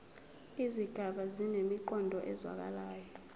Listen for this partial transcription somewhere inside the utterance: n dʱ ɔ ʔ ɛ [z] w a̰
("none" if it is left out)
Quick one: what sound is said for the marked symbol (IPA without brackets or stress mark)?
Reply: z